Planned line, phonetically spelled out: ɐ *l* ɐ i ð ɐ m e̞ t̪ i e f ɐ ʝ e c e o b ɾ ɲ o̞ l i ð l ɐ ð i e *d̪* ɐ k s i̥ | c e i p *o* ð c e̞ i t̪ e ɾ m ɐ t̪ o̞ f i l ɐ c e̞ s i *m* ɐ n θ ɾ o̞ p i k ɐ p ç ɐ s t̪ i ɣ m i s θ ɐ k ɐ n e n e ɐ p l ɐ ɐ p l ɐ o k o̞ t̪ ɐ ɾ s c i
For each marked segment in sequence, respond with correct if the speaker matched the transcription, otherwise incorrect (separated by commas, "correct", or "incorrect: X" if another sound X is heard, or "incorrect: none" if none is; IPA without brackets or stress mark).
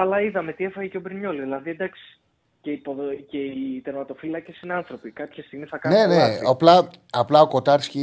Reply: correct, correct, correct, incorrect: n